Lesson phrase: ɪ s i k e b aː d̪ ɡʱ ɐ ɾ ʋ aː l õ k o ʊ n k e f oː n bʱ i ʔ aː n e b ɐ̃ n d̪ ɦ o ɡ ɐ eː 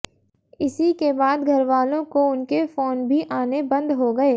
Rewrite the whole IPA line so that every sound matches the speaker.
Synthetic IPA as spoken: ɪ s i k e b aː d̪ ɡʱ ɐ ɾ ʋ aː l õ k o ʊ n k e f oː n bʱ i ʔ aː n e b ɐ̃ n d̪ ɦ o ɡ ɐ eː